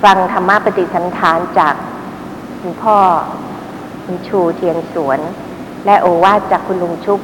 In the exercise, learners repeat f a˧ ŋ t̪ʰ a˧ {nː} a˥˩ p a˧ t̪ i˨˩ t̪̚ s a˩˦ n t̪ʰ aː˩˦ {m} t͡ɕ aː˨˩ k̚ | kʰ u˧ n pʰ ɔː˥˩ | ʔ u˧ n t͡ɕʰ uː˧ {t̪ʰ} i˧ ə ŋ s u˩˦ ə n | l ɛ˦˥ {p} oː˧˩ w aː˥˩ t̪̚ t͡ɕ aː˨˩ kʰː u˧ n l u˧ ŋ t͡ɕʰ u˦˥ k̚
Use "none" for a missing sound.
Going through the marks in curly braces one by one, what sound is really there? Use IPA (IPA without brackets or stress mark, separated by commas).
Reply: mː, n, t̪ʰ, ʔ